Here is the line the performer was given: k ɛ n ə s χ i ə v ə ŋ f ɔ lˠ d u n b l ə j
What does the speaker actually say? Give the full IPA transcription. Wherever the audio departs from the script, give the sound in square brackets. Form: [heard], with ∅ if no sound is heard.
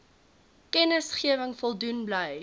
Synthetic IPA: k ɛ n ə s χ i ə v ə ŋ f ɔ lˠ d u n b l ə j